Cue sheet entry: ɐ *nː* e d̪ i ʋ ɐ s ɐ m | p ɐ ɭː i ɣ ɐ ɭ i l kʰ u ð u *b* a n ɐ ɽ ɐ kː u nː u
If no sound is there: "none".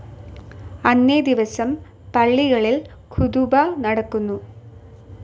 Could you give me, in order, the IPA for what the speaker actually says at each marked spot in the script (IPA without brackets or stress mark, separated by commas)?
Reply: nː, b